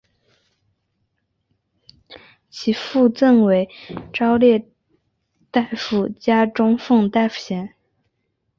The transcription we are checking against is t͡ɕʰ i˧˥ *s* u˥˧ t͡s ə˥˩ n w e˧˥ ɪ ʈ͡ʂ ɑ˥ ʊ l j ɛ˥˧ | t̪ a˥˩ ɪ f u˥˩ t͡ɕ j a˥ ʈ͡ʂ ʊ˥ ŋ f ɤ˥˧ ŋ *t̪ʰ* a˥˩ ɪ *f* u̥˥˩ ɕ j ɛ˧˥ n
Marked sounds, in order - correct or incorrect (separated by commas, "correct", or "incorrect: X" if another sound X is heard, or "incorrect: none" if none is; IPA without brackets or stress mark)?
incorrect: f, incorrect: t̪, correct